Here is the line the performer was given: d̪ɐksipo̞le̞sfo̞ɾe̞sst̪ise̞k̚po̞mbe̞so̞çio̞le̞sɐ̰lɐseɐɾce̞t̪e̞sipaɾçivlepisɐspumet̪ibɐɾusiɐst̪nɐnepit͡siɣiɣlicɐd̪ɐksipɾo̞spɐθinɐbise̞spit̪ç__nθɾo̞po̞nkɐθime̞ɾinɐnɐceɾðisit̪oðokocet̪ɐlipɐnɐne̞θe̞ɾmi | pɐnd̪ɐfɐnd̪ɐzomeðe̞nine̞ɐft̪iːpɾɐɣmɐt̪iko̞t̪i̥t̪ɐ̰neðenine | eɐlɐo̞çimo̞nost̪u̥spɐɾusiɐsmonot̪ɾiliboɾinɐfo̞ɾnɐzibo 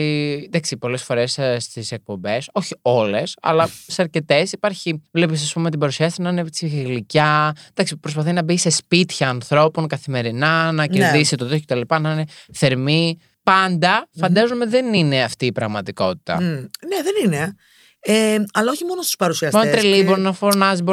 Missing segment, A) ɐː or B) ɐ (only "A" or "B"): A